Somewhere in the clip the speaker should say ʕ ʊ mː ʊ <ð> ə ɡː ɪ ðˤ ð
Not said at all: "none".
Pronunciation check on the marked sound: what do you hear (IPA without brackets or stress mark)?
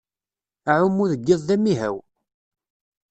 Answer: ð